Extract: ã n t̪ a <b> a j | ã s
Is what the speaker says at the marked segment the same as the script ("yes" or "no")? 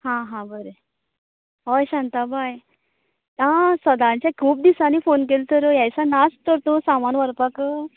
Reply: yes